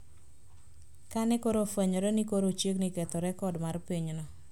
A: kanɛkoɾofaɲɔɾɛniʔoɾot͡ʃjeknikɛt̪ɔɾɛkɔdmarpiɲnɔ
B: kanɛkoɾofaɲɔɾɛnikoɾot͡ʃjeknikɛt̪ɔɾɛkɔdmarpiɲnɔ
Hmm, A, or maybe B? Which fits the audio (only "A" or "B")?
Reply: B